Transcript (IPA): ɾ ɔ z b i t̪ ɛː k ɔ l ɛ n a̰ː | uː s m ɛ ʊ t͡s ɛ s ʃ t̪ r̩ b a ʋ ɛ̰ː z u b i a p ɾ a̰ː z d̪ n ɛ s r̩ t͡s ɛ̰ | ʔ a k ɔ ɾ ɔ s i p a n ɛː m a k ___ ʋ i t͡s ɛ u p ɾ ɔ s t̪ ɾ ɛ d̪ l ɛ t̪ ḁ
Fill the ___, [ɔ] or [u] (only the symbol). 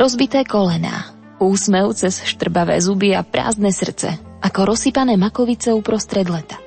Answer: ɔ